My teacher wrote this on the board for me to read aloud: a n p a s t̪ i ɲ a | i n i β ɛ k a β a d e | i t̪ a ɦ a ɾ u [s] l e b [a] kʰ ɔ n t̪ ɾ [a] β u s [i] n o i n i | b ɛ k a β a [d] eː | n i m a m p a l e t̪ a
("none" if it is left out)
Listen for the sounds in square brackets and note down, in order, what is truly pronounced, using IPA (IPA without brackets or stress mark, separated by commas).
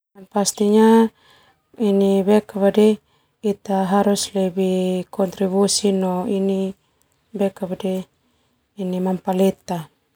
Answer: s, i, i, i, d